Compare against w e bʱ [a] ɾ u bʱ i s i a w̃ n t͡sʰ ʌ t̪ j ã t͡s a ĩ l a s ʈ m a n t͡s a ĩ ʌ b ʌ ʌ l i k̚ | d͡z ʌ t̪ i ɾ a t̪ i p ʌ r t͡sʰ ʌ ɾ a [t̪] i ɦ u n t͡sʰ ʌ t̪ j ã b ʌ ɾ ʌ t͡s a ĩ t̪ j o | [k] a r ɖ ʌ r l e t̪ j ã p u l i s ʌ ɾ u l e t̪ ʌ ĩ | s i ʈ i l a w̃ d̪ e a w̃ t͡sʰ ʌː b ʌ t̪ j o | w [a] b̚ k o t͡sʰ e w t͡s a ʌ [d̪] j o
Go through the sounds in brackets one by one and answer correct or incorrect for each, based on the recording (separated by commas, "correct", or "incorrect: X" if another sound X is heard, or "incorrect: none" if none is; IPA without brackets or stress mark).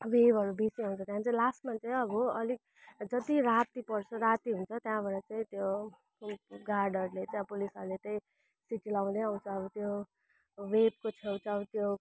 incorrect: ʌ, correct, incorrect: ɡ, incorrect: e, incorrect: t̪